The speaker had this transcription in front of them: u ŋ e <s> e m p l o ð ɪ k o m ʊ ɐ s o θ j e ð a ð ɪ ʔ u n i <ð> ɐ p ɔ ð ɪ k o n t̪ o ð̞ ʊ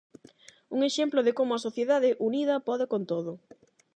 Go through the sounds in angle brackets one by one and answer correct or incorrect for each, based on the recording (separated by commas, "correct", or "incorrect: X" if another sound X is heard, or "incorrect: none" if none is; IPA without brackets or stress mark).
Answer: incorrect: ʃ, correct